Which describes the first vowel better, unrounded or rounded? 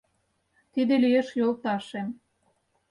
unrounded